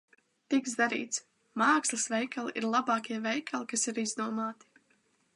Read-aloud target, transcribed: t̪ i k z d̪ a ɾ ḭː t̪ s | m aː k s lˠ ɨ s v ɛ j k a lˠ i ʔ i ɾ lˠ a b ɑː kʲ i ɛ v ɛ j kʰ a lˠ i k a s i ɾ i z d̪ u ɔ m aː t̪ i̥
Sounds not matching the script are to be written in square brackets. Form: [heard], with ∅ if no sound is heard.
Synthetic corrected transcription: t̪ i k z d̪ a ɾ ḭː t̪ s | m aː k s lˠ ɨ s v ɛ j k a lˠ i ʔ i ɾ lˠ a b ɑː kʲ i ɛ v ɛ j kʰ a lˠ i k a s i ɾ i z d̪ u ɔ m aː t̪ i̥